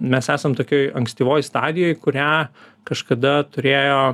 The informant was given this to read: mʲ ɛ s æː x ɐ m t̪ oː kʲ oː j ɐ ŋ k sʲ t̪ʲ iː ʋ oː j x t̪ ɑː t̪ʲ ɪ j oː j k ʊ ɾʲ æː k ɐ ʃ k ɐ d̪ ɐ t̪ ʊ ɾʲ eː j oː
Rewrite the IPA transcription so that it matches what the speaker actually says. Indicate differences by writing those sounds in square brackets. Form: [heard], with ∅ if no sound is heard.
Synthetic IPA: mʲ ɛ s æː [s] ɐ m t̪ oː kʲ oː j ɐ ŋ k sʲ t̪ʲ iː ʋ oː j [s] t̪ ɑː [d̪ʲ] ɪ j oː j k ʊ ɾʲ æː k ɐ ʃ k ɐ d̪ ɐ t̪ ʊ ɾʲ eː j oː